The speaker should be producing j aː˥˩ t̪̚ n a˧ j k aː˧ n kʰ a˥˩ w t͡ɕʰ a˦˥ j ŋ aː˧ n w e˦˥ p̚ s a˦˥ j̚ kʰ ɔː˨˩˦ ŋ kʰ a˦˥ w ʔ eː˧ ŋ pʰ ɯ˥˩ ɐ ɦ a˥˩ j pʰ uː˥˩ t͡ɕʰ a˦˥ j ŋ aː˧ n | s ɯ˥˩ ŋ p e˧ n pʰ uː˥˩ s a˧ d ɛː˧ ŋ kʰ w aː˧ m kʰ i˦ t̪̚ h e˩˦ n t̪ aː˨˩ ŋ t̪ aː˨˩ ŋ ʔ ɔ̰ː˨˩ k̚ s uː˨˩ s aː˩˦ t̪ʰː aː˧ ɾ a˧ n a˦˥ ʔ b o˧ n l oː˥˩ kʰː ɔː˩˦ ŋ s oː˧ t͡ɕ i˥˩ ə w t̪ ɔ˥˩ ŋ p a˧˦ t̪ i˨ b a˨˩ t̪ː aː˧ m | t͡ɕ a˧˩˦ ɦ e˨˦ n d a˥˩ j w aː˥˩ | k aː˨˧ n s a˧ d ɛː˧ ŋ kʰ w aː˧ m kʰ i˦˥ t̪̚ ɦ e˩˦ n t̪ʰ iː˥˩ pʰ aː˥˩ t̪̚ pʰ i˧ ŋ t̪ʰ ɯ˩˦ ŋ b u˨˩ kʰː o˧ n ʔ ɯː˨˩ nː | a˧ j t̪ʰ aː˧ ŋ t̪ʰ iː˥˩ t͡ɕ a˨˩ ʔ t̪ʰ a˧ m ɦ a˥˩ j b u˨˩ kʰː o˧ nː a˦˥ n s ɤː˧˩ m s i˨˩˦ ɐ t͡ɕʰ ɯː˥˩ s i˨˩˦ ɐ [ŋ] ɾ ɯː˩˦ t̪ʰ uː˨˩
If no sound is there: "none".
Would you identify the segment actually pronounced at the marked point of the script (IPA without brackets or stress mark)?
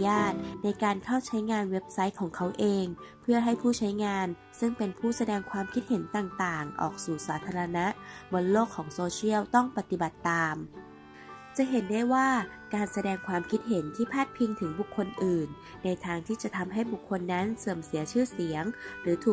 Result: ŋ